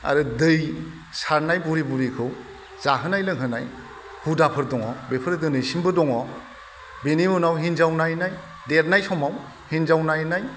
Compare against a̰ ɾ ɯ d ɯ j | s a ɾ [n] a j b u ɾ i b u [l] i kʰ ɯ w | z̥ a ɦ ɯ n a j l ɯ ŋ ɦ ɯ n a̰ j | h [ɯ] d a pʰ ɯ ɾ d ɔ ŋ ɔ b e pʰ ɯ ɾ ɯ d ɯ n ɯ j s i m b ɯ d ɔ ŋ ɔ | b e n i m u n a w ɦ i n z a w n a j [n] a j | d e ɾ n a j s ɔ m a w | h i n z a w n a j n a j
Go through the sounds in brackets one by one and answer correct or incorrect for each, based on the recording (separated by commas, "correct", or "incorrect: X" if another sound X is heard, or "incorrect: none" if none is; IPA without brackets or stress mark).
correct, incorrect: ɾ, incorrect: u, correct